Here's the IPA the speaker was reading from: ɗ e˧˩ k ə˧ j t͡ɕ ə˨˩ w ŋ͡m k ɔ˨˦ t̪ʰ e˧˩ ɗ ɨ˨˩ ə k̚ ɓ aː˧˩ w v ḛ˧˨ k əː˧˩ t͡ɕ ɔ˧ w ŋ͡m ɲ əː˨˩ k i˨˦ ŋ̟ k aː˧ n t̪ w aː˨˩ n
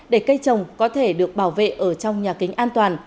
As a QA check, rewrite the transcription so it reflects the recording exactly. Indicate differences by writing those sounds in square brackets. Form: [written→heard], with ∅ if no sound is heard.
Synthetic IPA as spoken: ɗ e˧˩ k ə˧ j t͡ɕ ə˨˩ w ŋ͡m k ɔ˨˦ t̪ʰ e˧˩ ɗ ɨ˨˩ ə k̚ ɓ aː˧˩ w v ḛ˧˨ [k→ʔ] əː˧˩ t͡ɕ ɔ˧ w ŋ͡m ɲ [əː˨˩→aː˨˩] k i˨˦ ŋ̟ [k→ʔ] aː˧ n t̪ w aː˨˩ n

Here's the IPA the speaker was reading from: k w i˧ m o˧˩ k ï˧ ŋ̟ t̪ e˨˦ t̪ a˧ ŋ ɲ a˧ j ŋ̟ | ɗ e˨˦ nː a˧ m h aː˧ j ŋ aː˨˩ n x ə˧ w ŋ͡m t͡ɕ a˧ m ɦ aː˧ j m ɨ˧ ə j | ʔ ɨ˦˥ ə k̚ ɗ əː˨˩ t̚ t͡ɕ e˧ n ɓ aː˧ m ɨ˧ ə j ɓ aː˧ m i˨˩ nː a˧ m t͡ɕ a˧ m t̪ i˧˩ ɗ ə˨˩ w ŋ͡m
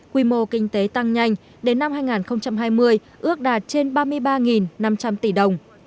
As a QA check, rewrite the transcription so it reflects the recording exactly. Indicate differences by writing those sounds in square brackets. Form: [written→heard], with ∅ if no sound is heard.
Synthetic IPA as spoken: k w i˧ m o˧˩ k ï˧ ŋ̟ t̪ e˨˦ t̪ a˧ ŋ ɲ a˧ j ŋ̟ | ɗ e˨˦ nː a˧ m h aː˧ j ŋ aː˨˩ n x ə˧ w ŋ͡m t͡ɕ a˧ m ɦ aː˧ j m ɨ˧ ə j | ʔ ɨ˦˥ ə k̚ ɗ [əː˨˩→aː˨˩] t̚ t͡ɕ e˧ n ɓ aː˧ m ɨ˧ ə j ɓ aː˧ [m→ŋ] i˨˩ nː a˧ m t͡ɕ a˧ m t̪ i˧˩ ɗ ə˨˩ w ŋ͡m

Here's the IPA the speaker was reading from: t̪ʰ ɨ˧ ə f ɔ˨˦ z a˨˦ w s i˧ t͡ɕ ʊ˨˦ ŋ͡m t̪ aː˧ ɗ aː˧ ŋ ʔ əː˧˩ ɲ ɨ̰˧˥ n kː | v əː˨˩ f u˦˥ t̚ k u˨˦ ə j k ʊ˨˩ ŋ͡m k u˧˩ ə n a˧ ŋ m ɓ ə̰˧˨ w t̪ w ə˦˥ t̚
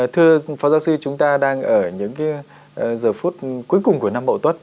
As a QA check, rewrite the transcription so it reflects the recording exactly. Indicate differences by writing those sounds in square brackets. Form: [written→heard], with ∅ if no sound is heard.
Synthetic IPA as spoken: t̪ʰ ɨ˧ ə f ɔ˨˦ z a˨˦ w s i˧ t͡ɕ ʊ˨˦ ŋ͡m t̪ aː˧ ɗ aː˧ ŋ ʔ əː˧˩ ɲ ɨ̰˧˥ [n→ŋ] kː | [v→z] əː˨˩ f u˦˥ t̚ k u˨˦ ə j k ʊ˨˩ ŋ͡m k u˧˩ ə n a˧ [ŋ→∅] m ɓ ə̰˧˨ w t̪ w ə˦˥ t̚

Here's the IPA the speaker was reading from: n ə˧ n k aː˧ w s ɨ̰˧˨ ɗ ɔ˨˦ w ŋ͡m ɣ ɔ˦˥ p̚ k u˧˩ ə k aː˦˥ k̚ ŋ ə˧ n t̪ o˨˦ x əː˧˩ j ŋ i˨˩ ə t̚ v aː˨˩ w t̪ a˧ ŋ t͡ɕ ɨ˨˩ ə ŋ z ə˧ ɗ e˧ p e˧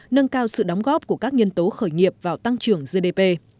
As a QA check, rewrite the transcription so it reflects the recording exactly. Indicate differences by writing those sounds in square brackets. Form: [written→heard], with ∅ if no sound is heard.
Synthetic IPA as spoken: n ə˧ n k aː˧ w s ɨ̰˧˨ ɗ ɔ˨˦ w ŋ͡m ɣ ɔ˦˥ p̚ k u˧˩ ə k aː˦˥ k̚ [ŋ→ɲ] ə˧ n t̪ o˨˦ x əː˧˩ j ŋ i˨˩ ə [t̚→p̚] v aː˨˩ w t̪ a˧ ŋ t͡ɕ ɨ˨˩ ə ŋ z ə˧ ɗ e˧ p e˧

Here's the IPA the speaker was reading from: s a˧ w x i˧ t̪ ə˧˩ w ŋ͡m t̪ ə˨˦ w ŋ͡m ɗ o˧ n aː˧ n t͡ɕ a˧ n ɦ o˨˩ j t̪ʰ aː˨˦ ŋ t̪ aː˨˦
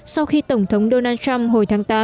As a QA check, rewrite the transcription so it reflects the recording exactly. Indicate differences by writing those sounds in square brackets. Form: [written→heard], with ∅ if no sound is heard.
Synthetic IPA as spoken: s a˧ w x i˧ t̪ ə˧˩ w ŋ͡m [t̪→t̪ʰ] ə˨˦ w ŋ͡m ɗ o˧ n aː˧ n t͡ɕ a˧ [n→m] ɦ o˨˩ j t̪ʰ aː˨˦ ŋ t̪ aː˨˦

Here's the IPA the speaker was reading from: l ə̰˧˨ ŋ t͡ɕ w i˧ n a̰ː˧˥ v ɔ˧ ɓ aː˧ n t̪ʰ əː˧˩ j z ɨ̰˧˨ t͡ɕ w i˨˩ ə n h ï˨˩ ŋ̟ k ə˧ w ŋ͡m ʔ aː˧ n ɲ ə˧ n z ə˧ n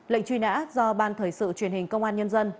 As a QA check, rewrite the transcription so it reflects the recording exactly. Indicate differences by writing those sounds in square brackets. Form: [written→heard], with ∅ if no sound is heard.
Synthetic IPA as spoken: l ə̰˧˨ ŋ t͡ɕ w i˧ n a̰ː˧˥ [v→z] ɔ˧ ɓ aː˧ n t̪ʰ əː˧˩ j [z→s] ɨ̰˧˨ t͡ɕ w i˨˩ ə n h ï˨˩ ŋ̟ k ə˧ w ŋ͡m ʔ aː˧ n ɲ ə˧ n z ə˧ n

